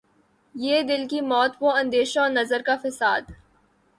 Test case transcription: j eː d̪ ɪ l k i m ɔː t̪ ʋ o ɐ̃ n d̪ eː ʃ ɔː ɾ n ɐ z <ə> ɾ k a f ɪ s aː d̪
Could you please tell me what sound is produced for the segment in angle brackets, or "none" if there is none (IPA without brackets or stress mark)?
ə